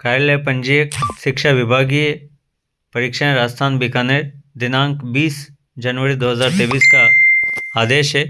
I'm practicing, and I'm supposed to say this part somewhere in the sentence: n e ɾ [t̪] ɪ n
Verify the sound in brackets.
incorrect: d̪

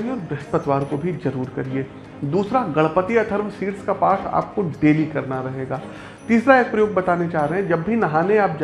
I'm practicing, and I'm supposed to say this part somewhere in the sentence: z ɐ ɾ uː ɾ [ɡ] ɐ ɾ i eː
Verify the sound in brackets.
incorrect: k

